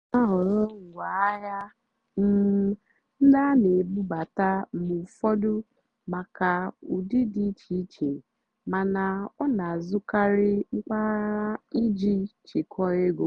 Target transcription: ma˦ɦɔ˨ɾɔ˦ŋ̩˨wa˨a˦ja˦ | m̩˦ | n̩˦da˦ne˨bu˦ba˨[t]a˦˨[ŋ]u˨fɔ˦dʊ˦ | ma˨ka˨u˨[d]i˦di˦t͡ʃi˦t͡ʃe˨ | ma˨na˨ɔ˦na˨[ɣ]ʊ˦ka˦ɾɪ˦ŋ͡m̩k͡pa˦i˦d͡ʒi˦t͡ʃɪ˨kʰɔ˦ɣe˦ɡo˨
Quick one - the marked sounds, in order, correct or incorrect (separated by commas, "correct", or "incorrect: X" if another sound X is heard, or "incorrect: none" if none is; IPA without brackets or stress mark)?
correct, incorrect: m, correct, incorrect: z